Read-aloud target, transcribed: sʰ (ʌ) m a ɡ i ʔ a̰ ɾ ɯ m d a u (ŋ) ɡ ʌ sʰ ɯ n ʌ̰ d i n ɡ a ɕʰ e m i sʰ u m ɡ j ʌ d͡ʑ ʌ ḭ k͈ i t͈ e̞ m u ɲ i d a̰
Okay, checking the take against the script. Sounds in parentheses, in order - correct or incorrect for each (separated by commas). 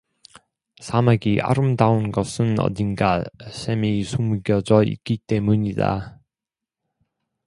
incorrect, incorrect